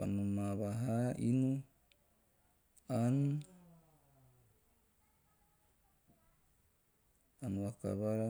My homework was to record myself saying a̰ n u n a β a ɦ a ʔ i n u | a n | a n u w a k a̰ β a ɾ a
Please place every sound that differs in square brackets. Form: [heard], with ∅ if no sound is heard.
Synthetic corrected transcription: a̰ n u [m] a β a ɦ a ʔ i n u | a n | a n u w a k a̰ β a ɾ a